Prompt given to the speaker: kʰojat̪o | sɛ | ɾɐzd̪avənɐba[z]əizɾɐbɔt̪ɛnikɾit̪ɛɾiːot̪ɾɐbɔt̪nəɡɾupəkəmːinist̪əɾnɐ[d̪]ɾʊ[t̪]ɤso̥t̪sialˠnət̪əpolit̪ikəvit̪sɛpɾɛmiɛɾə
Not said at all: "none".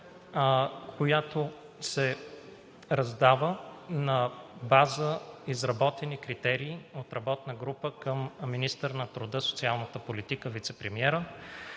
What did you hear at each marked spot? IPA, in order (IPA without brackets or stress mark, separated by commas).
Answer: z, t̪, d̪